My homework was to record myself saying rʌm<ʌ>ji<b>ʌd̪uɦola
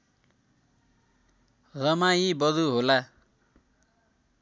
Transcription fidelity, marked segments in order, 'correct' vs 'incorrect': incorrect: a, correct

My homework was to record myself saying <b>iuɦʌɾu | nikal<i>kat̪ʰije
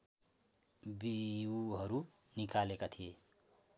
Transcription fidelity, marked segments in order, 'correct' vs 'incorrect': correct, incorrect: e

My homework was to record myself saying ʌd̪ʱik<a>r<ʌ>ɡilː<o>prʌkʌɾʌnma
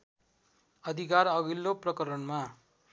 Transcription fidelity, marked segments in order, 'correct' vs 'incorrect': correct, correct, correct

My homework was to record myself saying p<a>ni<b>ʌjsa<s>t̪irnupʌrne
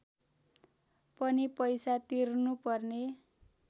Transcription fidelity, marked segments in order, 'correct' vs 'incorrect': incorrect: ʌ, incorrect: p, incorrect: none

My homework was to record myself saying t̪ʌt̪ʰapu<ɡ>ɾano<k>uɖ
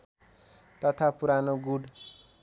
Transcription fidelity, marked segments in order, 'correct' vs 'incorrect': incorrect: none, incorrect: ɡ

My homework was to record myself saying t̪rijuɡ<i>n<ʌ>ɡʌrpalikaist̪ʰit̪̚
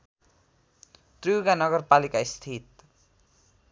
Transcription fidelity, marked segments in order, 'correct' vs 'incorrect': incorrect: a, correct

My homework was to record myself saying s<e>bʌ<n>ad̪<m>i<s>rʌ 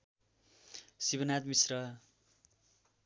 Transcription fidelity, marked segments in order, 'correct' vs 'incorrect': incorrect: i, correct, correct, correct

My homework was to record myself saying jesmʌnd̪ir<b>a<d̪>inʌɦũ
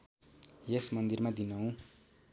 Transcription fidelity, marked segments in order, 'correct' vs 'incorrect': incorrect: m, correct

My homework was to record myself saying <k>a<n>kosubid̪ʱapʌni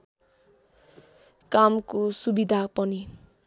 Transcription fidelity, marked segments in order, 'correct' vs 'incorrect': correct, incorrect: m

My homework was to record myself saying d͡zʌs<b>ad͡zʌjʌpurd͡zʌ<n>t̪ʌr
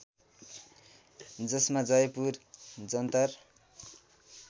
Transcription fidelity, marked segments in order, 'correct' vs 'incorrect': incorrect: m, correct

